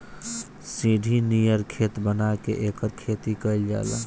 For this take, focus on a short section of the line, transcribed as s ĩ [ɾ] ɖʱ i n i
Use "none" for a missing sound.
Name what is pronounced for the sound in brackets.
none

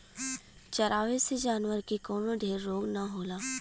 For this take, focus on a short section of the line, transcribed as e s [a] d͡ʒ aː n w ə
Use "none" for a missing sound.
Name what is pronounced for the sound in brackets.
e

